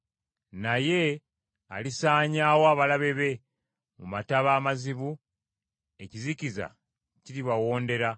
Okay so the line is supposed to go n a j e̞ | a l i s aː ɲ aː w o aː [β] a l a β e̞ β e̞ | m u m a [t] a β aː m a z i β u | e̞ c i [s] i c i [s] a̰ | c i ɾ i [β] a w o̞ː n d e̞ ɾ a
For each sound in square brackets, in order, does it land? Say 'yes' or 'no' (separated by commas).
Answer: yes, yes, no, no, yes